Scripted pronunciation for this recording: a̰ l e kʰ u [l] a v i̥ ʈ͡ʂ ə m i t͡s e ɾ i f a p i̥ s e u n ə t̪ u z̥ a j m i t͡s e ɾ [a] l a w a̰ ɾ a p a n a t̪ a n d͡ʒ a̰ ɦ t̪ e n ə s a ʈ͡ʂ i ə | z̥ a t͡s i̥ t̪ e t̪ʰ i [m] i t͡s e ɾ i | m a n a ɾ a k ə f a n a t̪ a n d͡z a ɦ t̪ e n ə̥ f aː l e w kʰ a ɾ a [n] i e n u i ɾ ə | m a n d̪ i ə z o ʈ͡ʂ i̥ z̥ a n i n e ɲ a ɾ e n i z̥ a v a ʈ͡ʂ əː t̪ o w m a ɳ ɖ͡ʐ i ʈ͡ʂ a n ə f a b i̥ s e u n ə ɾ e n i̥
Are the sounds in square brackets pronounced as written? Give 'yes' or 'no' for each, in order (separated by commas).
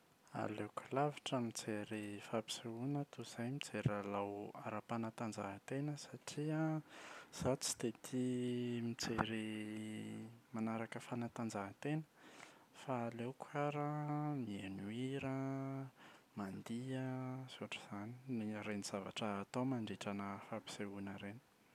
yes, yes, yes, no